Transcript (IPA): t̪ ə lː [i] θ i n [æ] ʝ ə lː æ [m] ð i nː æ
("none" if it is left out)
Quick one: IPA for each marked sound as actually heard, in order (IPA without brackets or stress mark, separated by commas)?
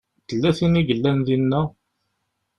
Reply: æ, i, n